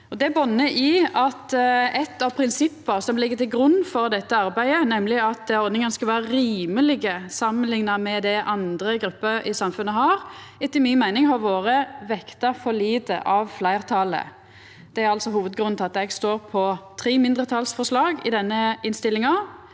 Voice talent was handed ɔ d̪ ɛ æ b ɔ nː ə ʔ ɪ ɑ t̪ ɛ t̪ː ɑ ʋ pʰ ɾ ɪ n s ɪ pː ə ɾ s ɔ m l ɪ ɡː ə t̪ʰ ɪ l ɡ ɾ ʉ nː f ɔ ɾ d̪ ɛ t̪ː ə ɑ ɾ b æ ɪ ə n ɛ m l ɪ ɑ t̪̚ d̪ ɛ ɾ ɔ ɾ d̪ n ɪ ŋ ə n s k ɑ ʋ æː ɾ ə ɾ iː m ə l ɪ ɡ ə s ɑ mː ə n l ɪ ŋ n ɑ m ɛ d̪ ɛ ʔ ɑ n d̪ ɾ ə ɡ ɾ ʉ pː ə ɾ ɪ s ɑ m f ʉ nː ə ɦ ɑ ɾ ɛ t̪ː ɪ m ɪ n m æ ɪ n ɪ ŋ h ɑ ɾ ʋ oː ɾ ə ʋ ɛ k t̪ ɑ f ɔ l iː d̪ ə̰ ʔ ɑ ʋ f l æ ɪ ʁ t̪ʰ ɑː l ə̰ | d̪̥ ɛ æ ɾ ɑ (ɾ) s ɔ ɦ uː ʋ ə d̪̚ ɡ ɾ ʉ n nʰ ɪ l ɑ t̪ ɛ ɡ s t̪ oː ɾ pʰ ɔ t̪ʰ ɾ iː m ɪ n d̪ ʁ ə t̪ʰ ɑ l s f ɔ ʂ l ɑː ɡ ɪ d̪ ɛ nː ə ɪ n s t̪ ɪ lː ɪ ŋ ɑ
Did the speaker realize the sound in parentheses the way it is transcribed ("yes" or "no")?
no